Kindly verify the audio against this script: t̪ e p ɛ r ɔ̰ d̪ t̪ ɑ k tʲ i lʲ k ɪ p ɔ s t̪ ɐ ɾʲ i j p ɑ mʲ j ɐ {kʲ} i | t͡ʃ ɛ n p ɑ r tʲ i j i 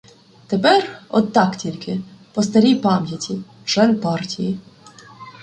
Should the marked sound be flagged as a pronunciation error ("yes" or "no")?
yes